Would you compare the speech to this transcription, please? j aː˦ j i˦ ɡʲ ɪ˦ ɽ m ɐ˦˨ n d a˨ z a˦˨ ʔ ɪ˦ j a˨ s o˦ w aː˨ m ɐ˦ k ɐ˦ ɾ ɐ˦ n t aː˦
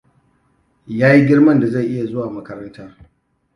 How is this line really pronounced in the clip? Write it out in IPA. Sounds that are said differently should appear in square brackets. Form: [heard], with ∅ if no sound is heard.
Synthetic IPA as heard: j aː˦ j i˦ ɡʲ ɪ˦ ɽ m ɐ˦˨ n d a˨ z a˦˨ ʔ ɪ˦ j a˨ [z] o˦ w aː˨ m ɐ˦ k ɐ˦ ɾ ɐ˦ n t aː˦